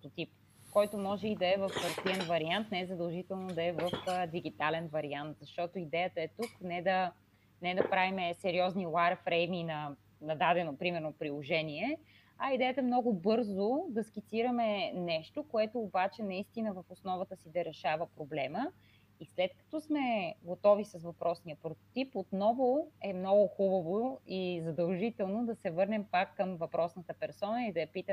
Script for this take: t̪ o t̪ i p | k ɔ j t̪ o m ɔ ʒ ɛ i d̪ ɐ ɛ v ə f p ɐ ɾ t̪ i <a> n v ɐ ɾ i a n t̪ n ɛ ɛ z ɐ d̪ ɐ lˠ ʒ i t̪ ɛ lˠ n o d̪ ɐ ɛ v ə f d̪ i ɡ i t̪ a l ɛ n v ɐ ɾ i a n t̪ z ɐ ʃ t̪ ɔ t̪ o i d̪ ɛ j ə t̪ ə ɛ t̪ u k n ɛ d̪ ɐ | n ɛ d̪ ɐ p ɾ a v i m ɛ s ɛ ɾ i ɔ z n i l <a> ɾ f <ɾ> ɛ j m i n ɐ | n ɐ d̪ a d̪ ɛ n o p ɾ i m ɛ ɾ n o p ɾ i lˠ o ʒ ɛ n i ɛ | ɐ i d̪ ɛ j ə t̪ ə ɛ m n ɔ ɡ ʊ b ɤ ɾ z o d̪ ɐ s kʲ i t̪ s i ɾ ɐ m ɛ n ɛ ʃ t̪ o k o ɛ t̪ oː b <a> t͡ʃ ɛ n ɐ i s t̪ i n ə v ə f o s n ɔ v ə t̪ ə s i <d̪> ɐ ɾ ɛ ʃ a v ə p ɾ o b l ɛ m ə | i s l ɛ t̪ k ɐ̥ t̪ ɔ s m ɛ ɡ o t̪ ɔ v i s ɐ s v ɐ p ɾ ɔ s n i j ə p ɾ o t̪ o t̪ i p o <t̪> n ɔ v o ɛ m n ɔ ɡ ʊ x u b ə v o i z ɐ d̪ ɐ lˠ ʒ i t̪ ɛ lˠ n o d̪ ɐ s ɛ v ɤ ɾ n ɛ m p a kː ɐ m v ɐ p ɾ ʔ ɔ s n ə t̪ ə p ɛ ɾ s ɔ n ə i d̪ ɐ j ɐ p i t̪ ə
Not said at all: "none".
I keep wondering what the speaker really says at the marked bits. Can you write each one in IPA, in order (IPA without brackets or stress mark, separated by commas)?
ɛ, a, ɾ, a, d̪, t̪